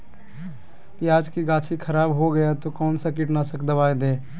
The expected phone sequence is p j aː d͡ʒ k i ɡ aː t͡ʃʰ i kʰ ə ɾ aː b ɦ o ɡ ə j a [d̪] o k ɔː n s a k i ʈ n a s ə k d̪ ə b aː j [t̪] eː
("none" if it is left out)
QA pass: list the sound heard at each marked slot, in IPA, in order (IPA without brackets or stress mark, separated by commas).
t̪, d̪